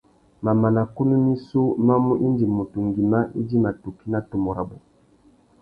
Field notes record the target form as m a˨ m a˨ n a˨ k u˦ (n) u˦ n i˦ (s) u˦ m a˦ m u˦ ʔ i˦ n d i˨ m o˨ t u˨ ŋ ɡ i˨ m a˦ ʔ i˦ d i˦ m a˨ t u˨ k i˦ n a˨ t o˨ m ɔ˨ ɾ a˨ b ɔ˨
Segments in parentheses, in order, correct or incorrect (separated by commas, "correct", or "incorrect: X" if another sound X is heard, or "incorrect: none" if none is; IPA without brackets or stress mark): correct, correct